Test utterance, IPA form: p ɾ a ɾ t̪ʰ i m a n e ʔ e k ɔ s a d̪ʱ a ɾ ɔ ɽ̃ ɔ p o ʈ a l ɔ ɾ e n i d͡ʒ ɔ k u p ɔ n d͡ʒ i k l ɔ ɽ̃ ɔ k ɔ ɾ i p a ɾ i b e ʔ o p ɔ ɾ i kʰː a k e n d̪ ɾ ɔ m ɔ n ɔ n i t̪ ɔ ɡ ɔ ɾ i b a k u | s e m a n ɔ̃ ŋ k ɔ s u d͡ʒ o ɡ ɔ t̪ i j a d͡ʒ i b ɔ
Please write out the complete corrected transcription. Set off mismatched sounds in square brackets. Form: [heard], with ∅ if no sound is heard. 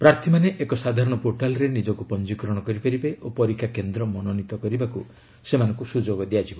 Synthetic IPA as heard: p ɾ a ɾ t̪ʰ i m a n e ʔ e k ɔ s a d̪ʱ a ɾ ɔ ɽ̃ ɔ p o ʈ a l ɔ ɾ e n i d͡ʒ ɔ k u p ɔ n d͡ʒ i k [ɾ] ɔ ɽ̃ ɔ k ɔ ɾ i p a ɾ i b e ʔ o p ɔ ɾ i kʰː a k e n d̪ ɾ ɔ m ɔ n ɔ n i t̪ ɔ [k] ɔ ɾ i b a k u | s e m a n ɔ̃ ŋ k [u] s u d͡ʒ o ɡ ɔ [d̪] i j a d͡ʒ i b ɔ